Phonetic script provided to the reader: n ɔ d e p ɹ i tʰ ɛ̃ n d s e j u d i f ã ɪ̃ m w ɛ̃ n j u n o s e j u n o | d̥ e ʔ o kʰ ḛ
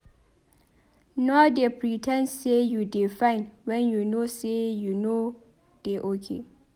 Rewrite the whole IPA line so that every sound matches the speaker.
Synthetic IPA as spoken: n ɔ d e p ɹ i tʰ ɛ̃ n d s e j u d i f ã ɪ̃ n w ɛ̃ n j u n o s e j u n o | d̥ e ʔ o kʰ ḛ